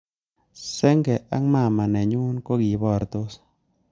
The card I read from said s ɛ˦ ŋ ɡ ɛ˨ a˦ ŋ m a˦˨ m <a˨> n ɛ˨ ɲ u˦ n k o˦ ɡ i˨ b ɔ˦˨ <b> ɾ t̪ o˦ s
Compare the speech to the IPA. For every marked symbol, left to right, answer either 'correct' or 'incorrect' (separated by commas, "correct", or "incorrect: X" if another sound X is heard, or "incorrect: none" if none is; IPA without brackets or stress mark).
correct, incorrect: none